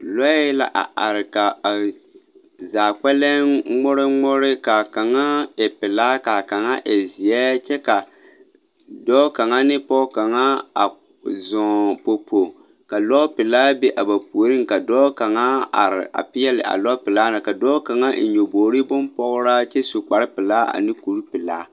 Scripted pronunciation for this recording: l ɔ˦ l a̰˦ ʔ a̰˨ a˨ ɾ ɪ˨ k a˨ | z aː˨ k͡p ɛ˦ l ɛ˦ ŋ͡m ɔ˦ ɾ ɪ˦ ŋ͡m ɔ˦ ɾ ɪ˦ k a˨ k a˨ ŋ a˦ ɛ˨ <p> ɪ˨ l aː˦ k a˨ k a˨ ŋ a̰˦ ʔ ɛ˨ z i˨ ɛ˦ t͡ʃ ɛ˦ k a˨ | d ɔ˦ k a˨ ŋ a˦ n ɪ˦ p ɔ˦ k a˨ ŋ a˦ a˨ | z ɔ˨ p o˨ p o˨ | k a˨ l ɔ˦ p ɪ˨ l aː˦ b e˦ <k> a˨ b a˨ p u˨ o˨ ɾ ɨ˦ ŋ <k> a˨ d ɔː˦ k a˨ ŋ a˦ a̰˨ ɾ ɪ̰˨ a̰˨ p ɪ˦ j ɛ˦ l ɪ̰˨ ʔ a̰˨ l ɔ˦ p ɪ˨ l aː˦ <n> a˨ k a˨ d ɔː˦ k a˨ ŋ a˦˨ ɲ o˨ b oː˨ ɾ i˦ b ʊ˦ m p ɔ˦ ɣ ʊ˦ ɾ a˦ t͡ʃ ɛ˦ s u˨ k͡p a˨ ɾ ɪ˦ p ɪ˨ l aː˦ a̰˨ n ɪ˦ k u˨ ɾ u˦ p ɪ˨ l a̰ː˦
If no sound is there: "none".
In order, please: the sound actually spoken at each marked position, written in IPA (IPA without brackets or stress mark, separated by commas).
p, ʔ, k, n